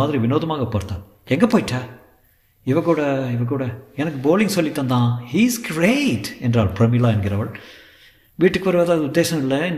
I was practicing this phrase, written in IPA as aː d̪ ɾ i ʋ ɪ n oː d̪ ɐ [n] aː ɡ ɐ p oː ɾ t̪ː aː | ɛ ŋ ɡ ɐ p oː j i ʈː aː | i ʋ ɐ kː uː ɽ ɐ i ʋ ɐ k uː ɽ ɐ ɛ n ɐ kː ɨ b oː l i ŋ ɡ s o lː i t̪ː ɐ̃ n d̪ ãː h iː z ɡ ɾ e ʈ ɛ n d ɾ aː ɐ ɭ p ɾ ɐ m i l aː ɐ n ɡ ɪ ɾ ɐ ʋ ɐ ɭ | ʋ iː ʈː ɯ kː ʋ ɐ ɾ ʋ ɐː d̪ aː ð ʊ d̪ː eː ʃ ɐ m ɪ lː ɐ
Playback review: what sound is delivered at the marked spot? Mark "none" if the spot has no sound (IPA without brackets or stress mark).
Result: m